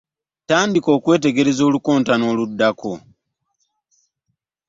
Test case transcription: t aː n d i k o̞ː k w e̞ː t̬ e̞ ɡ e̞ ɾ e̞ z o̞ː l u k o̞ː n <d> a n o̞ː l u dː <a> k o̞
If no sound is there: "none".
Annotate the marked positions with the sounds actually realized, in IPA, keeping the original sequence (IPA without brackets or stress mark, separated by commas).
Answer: t, a